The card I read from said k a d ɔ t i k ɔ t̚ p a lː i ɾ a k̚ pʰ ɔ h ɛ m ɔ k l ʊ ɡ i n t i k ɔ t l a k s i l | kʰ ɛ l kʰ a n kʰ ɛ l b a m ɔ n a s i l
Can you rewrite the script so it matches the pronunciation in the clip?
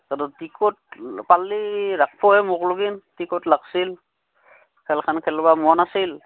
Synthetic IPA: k a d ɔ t i k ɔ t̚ p a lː i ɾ a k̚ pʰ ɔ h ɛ m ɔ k l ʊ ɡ i n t i k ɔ t l a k s i l | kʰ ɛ l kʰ a n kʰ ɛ l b a m ɔ n a s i l